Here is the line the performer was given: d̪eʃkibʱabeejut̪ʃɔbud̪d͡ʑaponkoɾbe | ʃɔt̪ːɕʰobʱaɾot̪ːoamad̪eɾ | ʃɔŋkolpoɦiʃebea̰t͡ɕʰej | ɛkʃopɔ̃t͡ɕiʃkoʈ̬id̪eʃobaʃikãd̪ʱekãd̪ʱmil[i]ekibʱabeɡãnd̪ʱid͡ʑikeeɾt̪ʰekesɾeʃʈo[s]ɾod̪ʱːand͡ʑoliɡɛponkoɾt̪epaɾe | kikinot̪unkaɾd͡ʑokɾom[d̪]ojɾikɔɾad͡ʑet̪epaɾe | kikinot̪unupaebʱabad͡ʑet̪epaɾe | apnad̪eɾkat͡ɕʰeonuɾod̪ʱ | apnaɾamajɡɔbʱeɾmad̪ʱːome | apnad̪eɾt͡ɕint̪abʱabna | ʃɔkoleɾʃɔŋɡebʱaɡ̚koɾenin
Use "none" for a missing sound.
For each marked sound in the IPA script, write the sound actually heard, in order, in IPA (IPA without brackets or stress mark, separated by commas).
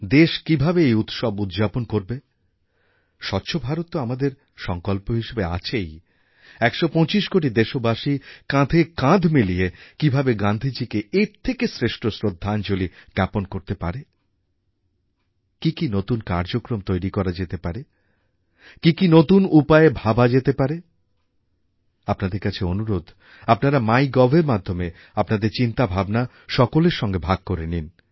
i, s, t̪